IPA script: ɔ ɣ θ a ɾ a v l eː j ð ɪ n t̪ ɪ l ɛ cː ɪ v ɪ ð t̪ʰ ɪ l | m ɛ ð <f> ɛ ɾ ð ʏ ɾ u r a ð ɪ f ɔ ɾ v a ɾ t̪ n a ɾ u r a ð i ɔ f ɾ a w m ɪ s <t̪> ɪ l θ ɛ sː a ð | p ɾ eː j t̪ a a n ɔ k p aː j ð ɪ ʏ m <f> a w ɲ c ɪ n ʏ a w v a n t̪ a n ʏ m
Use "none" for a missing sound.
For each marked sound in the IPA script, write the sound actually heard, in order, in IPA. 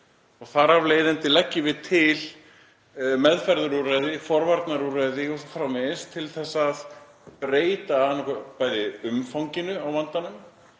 f, t̪ʰ, f

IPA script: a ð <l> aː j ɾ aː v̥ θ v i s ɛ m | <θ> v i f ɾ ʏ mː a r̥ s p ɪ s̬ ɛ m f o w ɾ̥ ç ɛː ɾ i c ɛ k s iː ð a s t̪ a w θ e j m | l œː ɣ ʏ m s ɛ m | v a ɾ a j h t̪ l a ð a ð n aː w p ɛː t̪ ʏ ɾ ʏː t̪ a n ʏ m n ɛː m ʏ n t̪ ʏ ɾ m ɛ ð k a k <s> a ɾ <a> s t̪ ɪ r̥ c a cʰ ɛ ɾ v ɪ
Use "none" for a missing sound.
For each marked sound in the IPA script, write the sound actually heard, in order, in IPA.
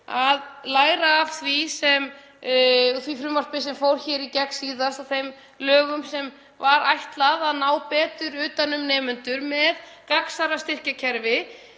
l, θ, s, a

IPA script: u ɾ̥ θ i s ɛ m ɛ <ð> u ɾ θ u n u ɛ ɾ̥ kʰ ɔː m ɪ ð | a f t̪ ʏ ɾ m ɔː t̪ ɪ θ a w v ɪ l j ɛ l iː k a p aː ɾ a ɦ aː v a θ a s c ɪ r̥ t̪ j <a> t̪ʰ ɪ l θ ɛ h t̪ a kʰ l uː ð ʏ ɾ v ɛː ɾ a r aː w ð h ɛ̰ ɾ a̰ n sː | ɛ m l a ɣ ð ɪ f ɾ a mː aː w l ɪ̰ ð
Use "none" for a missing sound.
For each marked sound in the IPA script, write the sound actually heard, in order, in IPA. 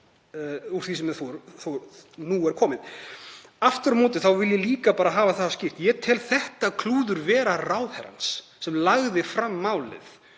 θ, ɛ

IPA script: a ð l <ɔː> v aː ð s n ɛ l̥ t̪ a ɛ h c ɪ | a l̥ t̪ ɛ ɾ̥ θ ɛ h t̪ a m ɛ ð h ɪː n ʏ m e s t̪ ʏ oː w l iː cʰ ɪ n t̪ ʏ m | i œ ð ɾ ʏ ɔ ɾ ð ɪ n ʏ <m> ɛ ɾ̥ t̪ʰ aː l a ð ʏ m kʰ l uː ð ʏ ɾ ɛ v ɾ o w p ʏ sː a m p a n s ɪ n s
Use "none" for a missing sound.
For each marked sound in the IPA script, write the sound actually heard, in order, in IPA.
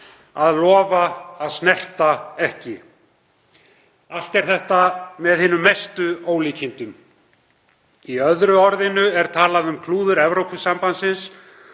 ɔː, none

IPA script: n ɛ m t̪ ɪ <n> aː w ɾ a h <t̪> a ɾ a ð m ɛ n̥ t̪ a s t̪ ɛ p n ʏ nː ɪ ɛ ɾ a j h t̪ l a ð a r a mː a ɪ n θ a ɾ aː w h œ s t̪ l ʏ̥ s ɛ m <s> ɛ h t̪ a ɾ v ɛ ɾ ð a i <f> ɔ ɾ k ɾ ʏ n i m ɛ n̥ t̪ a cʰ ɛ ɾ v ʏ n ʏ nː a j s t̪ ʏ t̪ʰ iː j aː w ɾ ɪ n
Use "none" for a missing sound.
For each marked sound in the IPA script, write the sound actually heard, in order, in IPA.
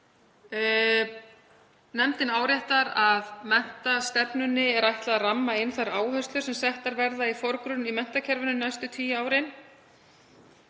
n, t̪, s, f

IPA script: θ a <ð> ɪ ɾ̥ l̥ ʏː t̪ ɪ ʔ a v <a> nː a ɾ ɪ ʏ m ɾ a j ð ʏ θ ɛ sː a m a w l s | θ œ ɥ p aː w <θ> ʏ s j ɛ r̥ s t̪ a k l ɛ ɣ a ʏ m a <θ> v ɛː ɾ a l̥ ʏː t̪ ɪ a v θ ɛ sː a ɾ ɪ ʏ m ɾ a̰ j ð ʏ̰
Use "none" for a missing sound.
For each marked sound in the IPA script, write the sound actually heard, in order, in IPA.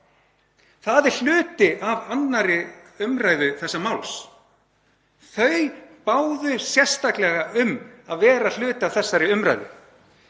ð, a, ð, ð

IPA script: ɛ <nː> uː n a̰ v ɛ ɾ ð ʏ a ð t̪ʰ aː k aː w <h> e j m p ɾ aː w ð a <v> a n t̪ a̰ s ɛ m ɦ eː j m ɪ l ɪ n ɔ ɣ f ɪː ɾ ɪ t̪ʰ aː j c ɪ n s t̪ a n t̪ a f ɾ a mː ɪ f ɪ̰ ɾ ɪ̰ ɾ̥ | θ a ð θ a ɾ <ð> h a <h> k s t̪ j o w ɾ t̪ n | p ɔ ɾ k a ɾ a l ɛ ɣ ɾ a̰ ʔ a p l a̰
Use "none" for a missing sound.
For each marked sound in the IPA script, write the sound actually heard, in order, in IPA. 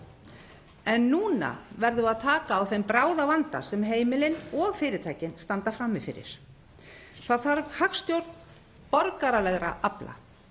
nː, θ, v, v, none

